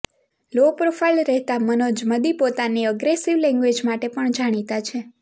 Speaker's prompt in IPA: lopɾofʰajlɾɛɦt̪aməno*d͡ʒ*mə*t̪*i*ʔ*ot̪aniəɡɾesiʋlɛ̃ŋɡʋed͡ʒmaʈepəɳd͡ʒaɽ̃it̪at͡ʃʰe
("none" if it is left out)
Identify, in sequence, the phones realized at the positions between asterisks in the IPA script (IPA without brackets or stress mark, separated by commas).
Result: d͡ʒ, d̪, p